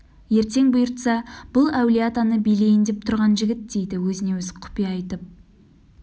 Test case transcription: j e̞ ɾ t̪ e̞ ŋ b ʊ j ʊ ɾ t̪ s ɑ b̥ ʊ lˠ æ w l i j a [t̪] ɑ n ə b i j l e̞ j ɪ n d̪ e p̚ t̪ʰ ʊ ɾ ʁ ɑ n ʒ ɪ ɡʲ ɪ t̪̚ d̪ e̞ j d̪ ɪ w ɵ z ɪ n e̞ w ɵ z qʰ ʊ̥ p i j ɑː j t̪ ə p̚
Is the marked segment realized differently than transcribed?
no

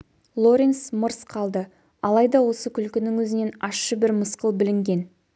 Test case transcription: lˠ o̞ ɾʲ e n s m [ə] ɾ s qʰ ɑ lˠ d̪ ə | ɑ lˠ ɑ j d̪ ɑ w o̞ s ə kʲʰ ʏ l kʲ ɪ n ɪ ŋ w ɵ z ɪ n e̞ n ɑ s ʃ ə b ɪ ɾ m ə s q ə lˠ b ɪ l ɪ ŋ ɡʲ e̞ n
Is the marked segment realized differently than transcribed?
no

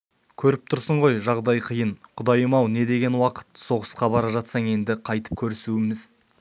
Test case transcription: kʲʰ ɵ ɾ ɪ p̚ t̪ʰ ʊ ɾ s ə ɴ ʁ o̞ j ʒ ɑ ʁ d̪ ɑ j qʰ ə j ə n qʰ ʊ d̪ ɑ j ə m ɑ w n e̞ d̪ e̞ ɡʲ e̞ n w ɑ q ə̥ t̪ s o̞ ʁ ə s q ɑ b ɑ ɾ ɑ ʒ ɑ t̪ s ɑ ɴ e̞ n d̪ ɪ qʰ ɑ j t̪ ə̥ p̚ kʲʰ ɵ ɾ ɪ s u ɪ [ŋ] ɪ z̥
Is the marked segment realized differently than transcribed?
yes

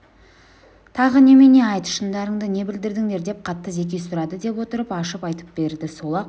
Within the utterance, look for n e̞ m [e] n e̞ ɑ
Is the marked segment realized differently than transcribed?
no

